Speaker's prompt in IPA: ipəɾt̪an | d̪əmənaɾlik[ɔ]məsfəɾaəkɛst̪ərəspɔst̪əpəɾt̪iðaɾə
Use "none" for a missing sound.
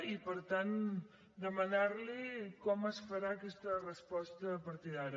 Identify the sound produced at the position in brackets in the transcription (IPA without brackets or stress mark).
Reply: ɔ